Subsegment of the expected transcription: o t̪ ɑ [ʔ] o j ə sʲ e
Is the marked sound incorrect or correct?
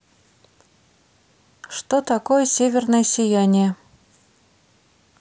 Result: incorrect